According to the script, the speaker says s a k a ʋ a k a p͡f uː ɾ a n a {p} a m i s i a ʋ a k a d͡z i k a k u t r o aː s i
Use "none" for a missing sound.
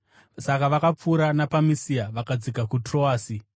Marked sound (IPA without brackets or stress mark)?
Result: p